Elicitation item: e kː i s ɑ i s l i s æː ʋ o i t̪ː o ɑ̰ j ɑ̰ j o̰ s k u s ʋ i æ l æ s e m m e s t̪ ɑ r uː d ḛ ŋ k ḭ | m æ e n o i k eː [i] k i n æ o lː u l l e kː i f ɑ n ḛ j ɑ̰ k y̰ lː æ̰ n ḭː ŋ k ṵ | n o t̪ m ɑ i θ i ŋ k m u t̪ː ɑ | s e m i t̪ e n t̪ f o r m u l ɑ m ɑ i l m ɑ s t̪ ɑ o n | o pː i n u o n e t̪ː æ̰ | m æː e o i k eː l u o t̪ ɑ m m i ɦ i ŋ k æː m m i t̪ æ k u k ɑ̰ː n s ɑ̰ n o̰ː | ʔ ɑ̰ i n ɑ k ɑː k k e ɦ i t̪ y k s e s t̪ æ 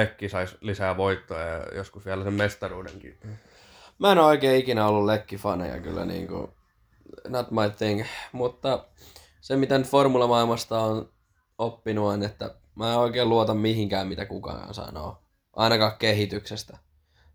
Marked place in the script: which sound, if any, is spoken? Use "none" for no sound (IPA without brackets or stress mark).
i